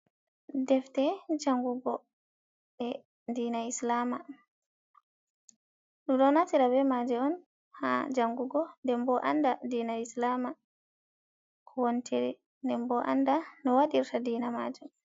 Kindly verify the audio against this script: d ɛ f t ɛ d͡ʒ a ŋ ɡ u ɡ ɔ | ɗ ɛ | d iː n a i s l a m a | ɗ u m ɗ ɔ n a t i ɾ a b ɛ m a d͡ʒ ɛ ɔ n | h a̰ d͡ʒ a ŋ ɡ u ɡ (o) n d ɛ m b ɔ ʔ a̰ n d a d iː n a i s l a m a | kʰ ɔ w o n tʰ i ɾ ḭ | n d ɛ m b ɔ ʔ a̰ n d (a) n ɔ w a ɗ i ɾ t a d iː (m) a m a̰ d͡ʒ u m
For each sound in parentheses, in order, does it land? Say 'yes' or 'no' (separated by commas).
no, yes, no